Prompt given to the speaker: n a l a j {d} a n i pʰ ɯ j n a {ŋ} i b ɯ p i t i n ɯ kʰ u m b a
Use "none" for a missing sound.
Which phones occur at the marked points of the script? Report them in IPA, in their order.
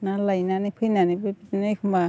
n, n

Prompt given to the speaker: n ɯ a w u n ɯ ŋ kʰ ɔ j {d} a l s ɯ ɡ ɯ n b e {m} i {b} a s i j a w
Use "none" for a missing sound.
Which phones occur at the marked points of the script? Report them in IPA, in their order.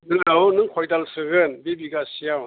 d, b, ɡ

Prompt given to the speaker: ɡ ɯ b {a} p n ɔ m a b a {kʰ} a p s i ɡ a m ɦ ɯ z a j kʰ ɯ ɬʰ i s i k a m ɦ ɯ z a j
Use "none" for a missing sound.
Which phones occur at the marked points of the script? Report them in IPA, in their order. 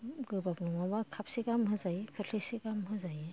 a, kʰ

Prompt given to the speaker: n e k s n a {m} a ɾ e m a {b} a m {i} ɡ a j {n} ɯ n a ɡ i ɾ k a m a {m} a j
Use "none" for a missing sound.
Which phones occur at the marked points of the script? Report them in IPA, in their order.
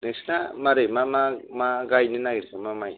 m, m, a, n, m

